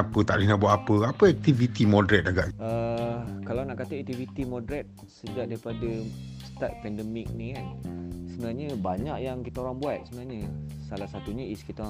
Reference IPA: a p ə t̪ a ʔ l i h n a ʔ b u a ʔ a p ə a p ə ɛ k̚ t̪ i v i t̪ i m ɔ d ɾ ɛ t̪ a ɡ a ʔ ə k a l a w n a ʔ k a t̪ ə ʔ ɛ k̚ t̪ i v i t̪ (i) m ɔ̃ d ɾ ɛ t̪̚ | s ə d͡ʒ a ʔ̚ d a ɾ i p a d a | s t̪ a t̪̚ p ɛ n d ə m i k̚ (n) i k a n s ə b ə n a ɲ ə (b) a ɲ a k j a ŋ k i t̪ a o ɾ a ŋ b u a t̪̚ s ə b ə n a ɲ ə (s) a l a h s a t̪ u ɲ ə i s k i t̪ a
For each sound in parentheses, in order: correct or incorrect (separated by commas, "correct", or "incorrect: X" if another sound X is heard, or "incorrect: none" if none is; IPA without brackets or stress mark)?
correct, correct, correct, correct